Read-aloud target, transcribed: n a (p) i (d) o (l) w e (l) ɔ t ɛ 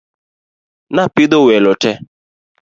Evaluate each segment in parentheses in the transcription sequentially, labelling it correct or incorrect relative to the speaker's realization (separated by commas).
correct, correct, incorrect, correct